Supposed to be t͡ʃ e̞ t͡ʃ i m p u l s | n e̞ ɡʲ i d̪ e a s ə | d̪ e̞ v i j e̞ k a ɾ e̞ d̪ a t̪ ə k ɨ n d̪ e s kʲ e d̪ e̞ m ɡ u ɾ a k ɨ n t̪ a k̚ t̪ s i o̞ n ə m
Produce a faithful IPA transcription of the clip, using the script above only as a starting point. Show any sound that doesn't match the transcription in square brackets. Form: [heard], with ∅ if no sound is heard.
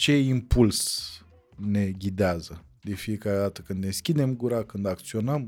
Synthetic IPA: t͡ʃ e̞ [∅] i m p u l s | n e̞ ɡʲ i d̪ e a [z] ə | d̪ e̞ [f] i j e̞ k a ɾ e̞ d̪ a t̪ ə k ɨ n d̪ e s kʲ [i] d̪ e̞ m ɡ u ɾ a k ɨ n [d̪] a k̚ t̪ s i o̞ n ə m